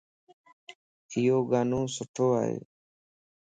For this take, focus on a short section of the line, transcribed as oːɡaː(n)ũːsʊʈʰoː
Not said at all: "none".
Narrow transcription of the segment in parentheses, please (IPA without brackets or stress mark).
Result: n